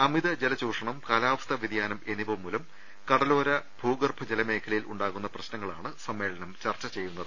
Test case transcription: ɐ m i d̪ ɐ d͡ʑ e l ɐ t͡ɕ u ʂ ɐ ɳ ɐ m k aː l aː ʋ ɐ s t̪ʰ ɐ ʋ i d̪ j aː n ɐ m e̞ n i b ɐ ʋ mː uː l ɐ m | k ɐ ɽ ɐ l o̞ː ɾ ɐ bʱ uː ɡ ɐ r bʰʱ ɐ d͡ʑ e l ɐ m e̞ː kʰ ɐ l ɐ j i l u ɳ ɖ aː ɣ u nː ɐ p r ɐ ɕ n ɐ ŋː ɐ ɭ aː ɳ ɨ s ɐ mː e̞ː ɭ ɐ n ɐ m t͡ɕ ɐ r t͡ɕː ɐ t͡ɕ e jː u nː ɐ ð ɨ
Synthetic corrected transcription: ɐ m i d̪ ɐ d͡ʑ e l ɐ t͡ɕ uː ʂ ɐ ɳ ɐ m k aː l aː ʋ ɐ s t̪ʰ ɐ ʋ i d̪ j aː n ɐ m e̞ n i b ɐ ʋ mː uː l ɐ m | k ɐ ɽ ɐ l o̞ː ɾ ɐ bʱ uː ɡ ɐ r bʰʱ ɐ d͡ʑ e l ɐ m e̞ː kʰ ɐ l ɐ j i l u ɳ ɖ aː ɣ u nː ɐ p r ɐ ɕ n ɐ ŋː ɐ ɭ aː ɳ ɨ s ɐ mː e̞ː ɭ ɐ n ɐ m t͡ɕ ɐ r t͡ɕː ɐ t͡ɕ e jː u nː ɐ ð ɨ

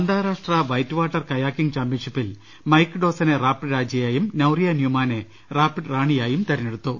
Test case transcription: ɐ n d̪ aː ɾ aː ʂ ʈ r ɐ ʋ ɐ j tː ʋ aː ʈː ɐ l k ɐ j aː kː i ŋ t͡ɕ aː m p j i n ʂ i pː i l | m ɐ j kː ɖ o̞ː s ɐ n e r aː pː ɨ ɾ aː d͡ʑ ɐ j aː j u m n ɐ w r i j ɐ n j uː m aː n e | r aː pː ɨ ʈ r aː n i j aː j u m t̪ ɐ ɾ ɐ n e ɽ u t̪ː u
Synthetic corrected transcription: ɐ n d̪ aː ɾ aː ʂ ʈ r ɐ ʋ ɐ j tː ʋ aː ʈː ɐ r k ɐ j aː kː i ŋ t͡ɕ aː m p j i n ʂ i pː i l | m ɐ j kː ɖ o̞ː s ɐ n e r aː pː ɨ ɾ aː d͡ʑ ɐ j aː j u m n ɐ w r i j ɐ n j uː m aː n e | r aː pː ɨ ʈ r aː ɳ i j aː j u m t̪ ɐ ɾ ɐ n e ɽ u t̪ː u

